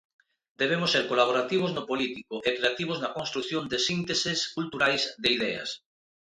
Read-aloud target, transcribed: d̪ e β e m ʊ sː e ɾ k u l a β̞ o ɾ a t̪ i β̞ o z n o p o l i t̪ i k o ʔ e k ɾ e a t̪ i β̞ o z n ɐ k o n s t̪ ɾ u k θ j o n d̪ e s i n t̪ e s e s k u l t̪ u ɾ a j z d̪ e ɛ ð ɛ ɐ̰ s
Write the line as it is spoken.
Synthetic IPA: d̪ e β e m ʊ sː e ɾ k o l a β̞ o ɾ a t̪ i β̞ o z n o p o l i t̪ i k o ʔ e k ɾ e a t̪ i β̞ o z n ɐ k o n s t̪ ɾ u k θ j o n d̪ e s i n t̪ e s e s k u l t̪ u ɾ a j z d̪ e i ð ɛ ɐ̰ s